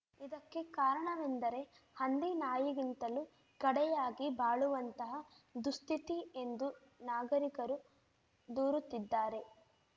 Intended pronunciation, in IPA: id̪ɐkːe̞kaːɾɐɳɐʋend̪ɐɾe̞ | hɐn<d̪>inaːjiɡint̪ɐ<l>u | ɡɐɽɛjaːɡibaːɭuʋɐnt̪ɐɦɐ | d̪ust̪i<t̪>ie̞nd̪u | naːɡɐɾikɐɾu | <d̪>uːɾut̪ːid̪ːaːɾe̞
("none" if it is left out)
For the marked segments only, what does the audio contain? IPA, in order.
d̪, l, t̪, d̪

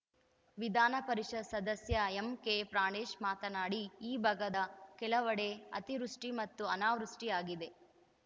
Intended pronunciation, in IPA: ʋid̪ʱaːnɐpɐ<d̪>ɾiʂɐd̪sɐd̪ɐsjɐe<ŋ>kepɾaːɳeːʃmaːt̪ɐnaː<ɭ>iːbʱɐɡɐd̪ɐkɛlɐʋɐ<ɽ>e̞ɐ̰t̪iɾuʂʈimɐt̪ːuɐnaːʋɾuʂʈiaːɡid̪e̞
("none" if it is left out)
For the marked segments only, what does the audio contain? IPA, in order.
none, m, ɽ, ɽ

